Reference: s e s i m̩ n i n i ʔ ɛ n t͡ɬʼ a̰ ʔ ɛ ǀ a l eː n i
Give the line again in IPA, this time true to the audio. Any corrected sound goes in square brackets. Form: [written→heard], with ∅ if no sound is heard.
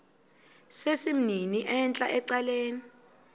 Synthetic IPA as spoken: s e s i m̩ n i n i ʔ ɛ n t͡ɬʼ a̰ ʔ ɛ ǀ a l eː n i